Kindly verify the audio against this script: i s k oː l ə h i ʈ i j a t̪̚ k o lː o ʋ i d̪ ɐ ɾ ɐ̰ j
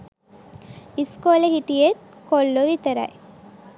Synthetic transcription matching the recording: i s k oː l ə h i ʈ i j e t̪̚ k o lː o ʋ i t̪ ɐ ɾ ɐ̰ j

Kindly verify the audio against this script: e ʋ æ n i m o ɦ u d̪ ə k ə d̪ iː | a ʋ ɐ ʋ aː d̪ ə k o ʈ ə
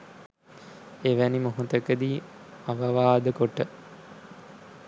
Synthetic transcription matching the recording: e ʋ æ n i m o ɦ u t̪ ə k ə d̪ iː | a ʋ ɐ ʋ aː d̪ ə k o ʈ ə

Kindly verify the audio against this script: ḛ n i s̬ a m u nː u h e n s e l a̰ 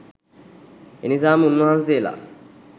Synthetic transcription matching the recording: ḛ n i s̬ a m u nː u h a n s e l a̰

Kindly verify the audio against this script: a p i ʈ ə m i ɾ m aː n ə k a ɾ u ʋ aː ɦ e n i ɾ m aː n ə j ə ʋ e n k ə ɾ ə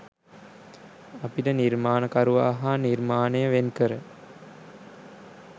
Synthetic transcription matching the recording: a p i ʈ ə n i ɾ m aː n ə k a ɾ u ʋ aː ɦ a n i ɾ m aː n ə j ə ʋ e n k ə ɾ ə

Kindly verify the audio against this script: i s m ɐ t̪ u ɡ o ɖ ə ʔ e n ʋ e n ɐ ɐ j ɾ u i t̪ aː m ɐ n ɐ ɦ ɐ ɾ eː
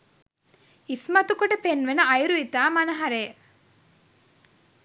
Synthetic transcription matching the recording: i s m ɐ t̪ u k o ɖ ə p e n ʋ e n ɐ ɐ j ɾ u i t̪ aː m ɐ n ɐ ɦ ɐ ɾ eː

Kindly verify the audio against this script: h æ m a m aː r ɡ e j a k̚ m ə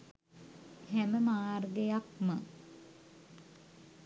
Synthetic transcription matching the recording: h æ m ə m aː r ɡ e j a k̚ m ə

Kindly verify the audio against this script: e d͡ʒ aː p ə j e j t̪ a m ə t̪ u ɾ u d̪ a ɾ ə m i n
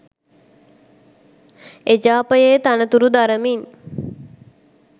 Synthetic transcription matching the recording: e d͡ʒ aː p ə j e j t̪ a n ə t̪ u ɾ u d̪ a ɾ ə m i n

